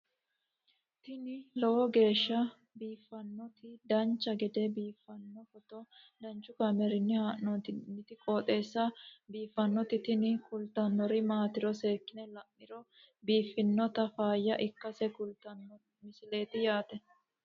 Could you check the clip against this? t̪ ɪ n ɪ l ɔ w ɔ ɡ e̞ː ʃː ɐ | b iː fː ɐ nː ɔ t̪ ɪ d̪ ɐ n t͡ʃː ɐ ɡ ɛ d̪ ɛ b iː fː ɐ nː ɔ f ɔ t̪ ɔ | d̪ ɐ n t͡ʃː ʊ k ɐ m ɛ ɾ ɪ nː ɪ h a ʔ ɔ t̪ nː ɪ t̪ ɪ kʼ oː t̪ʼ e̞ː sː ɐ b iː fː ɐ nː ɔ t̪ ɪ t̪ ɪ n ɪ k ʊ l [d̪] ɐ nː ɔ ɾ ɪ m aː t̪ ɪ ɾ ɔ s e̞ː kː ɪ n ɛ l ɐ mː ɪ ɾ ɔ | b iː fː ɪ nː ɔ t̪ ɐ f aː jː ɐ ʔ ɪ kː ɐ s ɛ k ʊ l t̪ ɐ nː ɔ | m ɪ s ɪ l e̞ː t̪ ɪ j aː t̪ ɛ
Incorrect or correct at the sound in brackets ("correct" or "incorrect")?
incorrect